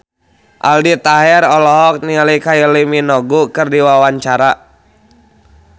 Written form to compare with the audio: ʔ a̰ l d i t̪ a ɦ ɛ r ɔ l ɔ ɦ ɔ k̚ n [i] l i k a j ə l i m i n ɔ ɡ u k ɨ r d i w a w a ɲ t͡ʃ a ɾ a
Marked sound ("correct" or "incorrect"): correct